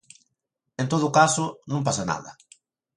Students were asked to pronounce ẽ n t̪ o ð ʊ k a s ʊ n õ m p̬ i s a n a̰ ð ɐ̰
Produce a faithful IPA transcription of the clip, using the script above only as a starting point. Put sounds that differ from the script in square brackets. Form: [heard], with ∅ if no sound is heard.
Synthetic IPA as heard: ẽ n t̪ o ð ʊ k a s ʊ n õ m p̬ [a] s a n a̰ ð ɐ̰